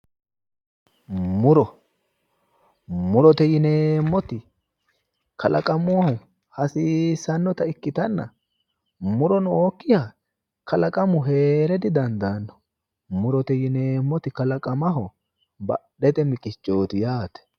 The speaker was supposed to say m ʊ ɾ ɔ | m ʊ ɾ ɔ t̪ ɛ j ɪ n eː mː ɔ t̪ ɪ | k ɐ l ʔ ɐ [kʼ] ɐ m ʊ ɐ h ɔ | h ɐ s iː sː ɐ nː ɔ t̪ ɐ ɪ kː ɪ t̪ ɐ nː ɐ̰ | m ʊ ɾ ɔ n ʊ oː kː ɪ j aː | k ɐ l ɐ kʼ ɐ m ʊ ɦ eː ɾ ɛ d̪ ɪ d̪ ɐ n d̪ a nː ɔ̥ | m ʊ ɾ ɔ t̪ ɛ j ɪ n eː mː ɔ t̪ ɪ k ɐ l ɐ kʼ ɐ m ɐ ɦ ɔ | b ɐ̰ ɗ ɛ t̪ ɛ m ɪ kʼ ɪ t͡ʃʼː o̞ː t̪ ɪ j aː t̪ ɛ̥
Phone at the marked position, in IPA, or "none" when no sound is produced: kʼ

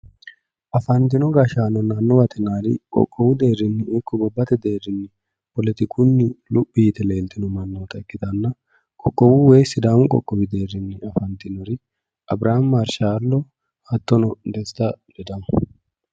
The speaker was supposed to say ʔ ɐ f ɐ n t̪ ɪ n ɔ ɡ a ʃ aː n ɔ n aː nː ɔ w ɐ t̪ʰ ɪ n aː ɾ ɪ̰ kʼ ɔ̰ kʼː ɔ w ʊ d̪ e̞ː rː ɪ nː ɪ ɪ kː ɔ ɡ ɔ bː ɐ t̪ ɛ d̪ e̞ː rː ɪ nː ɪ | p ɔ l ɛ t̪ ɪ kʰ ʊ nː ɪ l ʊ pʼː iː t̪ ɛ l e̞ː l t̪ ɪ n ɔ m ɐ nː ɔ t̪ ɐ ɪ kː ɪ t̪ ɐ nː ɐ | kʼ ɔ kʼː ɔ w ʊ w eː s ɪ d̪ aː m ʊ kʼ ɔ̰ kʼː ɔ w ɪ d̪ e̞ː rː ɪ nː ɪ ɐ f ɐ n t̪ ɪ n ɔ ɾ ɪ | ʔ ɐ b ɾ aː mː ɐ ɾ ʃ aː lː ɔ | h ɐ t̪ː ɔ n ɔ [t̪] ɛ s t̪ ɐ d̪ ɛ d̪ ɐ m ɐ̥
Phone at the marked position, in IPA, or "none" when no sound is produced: d̪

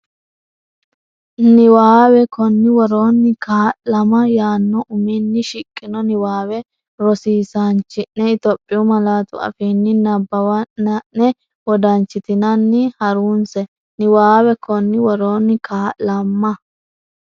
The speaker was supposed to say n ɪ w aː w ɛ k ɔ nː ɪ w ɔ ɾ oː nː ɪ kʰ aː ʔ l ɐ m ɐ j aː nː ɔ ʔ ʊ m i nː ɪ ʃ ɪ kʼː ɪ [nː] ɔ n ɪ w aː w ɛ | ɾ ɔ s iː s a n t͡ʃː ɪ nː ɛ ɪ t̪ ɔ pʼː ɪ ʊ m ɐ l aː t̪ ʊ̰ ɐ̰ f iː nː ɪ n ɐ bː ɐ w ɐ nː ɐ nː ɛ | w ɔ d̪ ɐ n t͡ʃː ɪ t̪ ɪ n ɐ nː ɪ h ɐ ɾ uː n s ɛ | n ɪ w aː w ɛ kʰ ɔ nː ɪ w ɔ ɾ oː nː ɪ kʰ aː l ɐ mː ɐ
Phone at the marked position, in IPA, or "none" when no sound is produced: n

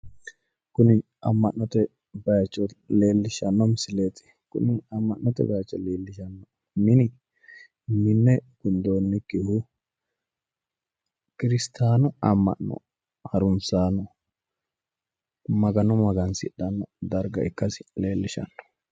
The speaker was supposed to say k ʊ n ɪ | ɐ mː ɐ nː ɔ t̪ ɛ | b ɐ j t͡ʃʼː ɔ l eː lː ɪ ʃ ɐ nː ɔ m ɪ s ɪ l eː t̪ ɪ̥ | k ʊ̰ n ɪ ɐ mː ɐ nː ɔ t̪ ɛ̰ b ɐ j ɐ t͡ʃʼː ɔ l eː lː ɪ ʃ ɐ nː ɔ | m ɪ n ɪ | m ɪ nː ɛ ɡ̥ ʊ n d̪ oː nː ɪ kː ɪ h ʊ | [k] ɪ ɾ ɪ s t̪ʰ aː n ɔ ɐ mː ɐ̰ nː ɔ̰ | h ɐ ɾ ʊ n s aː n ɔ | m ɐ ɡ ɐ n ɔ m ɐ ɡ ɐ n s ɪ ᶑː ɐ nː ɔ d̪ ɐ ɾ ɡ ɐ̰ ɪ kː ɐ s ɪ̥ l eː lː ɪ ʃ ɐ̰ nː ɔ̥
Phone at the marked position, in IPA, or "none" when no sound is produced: k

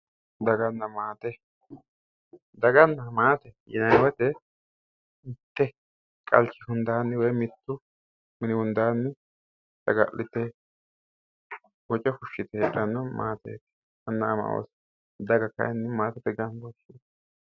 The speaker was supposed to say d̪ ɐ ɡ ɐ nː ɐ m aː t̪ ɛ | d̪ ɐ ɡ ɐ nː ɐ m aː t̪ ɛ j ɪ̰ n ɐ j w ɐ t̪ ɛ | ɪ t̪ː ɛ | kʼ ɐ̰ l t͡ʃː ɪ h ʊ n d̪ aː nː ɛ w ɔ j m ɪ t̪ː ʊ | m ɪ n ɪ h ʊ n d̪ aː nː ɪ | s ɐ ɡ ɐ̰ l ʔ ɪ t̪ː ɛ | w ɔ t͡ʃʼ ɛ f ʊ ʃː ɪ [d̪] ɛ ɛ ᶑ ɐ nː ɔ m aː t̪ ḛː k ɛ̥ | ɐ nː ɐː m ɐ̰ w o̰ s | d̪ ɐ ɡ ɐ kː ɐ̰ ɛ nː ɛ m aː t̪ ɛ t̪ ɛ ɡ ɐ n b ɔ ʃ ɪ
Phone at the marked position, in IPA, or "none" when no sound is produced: t̪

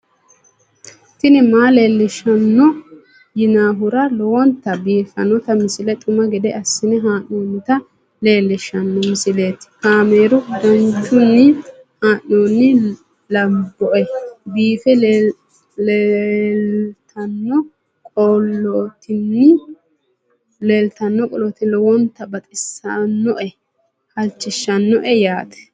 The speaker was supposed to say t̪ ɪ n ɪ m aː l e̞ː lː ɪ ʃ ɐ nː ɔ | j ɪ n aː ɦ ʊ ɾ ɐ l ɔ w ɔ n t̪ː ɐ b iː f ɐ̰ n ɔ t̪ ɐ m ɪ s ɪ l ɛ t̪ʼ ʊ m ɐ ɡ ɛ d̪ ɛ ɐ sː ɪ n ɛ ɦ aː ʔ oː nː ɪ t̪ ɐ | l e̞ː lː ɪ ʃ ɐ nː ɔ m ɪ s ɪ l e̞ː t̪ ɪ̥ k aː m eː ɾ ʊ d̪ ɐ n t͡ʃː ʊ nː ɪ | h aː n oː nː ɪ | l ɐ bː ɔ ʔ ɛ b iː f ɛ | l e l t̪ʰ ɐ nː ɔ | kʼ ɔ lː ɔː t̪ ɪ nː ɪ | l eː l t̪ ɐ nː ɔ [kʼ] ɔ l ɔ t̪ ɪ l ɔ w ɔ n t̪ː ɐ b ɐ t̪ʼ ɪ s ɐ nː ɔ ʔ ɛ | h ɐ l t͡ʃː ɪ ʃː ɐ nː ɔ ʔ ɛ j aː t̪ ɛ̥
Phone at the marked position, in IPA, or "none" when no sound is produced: kʼ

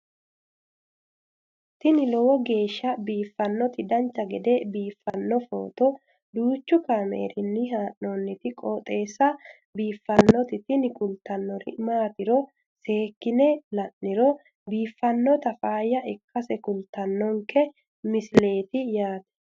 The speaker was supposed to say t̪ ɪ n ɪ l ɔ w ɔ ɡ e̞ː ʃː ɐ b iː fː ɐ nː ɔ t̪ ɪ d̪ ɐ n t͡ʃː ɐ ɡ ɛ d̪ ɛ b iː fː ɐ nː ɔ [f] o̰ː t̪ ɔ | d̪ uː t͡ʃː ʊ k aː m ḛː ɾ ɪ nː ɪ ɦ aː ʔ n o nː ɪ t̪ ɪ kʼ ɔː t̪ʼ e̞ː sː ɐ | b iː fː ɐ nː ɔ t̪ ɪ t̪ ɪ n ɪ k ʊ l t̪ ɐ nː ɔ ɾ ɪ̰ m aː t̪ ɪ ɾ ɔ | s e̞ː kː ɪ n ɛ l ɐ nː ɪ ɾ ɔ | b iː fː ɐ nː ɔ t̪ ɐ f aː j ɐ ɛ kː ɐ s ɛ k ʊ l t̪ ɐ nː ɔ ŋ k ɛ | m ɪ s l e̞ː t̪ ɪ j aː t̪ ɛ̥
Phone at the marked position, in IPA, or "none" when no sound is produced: f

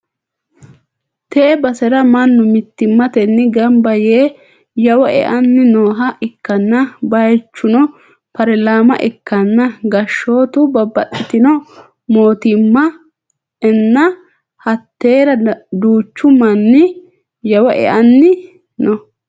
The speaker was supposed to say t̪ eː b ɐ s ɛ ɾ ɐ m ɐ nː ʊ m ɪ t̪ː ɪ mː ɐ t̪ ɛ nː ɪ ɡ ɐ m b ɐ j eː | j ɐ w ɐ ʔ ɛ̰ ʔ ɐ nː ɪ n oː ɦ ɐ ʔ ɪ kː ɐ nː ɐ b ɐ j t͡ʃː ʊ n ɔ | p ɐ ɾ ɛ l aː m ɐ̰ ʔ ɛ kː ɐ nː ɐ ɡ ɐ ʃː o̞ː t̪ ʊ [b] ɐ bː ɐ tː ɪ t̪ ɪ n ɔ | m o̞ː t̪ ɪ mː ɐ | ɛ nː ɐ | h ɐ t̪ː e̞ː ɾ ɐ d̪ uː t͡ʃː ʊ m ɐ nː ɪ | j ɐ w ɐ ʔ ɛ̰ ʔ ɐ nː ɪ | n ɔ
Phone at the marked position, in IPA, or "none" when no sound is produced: b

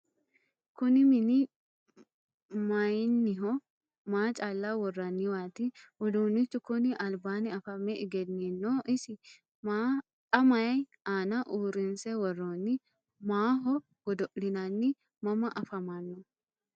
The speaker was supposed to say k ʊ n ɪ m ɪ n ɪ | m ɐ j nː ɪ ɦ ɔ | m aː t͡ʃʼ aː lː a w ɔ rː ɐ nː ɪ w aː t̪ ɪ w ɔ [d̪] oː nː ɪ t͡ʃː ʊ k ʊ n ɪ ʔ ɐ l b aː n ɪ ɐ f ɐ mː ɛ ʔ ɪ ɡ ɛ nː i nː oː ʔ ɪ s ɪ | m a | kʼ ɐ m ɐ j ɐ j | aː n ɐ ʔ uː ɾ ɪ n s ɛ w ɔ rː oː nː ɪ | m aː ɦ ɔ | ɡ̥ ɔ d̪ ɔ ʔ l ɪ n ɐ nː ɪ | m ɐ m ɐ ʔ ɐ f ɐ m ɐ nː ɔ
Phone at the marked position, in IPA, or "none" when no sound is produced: d̪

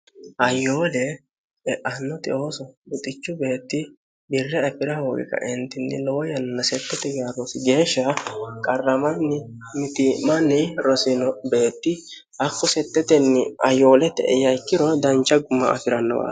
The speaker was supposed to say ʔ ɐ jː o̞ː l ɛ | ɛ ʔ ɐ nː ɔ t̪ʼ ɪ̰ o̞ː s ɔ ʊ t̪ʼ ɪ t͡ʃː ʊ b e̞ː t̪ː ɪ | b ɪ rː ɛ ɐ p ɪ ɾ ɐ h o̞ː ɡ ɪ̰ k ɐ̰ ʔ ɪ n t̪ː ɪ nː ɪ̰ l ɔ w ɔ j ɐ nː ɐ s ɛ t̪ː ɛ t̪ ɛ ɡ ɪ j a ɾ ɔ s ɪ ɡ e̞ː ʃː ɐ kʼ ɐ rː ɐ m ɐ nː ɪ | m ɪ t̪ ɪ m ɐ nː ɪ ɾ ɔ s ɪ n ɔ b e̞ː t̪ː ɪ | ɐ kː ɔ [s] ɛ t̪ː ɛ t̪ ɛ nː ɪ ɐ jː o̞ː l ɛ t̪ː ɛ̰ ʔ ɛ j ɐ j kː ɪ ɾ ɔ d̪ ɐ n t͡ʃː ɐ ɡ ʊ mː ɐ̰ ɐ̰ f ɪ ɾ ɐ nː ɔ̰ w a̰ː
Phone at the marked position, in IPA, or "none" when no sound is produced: s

